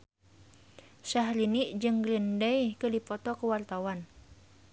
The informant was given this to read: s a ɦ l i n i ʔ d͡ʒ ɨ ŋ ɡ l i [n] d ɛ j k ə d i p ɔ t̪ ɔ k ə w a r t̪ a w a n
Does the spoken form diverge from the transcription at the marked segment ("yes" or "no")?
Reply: no